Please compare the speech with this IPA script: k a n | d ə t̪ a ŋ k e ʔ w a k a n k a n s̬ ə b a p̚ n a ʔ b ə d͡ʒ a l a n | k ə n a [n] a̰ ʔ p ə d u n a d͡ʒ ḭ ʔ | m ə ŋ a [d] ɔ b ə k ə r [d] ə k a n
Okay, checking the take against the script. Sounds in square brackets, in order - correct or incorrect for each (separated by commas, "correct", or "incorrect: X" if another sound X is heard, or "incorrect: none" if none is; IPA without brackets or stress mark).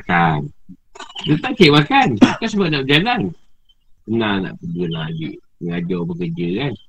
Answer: correct, incorrect: d͡ʒ, incorrect: d͡ʒ